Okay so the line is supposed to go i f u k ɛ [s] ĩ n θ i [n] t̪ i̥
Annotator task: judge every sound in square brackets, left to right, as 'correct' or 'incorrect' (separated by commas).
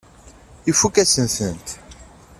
correct, correct